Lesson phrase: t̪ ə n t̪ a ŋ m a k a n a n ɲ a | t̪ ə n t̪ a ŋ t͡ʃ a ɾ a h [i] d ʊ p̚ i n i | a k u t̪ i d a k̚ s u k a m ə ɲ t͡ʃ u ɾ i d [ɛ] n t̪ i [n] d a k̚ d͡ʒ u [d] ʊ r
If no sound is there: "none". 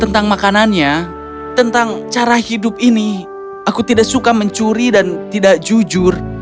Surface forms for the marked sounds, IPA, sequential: i, a, none, d͡ʒ

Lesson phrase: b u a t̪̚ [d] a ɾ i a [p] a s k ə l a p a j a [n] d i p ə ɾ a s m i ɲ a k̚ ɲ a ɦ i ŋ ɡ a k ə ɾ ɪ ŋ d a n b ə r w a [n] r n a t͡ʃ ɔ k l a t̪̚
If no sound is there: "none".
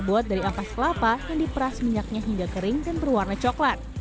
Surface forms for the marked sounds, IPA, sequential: d, p, ŋ, none

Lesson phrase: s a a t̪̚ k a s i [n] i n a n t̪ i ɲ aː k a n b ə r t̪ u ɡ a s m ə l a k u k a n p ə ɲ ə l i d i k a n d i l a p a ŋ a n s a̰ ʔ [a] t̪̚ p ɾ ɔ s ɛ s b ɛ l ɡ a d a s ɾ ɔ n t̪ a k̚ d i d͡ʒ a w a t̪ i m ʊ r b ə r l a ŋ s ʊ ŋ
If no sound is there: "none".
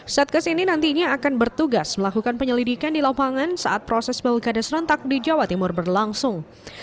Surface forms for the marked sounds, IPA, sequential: n, a

